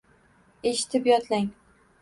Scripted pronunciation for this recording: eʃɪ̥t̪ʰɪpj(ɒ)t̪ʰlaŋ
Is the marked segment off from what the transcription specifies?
no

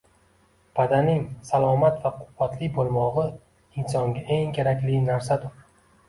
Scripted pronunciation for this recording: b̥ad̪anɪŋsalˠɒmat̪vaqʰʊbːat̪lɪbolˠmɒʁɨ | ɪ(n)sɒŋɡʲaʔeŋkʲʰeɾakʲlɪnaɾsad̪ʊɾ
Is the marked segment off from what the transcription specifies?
no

